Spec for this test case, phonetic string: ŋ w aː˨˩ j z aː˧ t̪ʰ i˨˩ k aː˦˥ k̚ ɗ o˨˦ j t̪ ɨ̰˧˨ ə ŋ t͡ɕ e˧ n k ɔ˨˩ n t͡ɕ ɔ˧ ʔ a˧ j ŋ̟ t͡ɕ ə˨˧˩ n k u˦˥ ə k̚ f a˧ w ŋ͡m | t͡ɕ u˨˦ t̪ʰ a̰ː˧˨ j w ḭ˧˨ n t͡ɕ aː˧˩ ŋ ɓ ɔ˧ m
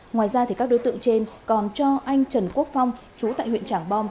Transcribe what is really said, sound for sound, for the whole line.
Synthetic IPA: ŋ w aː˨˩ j z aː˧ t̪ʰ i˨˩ k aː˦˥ k̚ ɗ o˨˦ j t̪ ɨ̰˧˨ ə ŋ t͡ɕ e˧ n k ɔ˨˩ n t͡ɕ ɔ˧ ʔ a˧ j ŋ̟ t͡ɕ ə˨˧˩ n k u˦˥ ə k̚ f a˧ w ŋ͡m | t͡ɕ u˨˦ t̪ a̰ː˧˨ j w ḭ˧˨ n t͡ɕ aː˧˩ ŋ ɓ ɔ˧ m